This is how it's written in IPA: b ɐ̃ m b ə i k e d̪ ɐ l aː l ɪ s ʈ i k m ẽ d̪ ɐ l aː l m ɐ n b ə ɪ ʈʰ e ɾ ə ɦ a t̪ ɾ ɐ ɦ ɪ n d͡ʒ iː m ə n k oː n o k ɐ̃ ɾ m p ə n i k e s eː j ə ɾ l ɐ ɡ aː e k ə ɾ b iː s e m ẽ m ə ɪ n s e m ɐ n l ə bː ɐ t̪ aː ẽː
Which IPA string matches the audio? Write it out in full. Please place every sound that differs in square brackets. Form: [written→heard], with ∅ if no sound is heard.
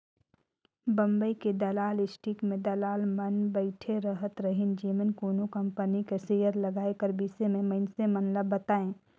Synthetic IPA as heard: b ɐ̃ m b ə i k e d̪ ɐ l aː l ɪ s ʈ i k m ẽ d̪ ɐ l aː l m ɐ n b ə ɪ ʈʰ e ɾ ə ɦ [a→ə] t̪ ɾ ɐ ɦ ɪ n d͡ʒ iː m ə n k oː n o k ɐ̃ [ɾ→∅] m p ə n i k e s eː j ə ɾ l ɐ ɡ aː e k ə ɾ b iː s e m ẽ m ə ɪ n s e m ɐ n l ə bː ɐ t̪ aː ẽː